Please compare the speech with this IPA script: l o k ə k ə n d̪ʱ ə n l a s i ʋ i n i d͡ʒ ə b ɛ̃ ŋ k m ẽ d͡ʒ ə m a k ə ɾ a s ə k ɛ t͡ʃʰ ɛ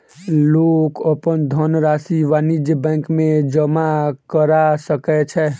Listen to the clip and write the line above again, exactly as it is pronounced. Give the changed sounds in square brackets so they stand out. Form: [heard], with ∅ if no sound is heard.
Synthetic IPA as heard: l o k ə [p] ə n d̪ʱ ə n [ɾ] a s i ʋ [a] n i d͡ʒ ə b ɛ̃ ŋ k m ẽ d͡ʒ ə m a k ə ɾ a s ə k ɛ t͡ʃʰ ɛ